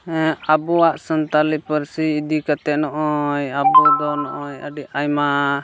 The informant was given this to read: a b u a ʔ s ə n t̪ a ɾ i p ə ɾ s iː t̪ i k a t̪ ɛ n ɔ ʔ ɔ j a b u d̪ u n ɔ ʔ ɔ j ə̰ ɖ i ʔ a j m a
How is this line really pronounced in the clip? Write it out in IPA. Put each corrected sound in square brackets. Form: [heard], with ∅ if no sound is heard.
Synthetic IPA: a b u a ʔ s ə n t̪ a [l] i p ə ɾ s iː [d̪] i k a t̪ ɛ n ɔ ʔ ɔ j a b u d̪ [ɔ] n ɔ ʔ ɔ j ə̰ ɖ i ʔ a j m a